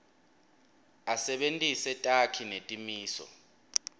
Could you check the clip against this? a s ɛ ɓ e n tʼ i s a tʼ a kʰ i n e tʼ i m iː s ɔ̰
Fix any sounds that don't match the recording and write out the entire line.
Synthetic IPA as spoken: a s ɛ ɓ e n tʼ i s ɛ tʼ a kʰ i n e tʼ i m iː s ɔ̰